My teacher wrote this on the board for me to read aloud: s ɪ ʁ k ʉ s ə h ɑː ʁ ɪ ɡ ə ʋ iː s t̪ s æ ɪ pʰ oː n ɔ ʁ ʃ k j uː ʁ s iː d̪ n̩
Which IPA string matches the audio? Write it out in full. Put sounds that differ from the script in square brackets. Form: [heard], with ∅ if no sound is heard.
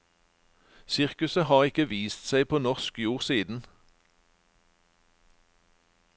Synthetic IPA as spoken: s ɪ ʁ k ʉ s ə h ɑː ʁ ɪ [k] ə ʋ iː s t̪ s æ ɪ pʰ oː n ɔ ʁ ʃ k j uː ʁ s iː d̪ n̩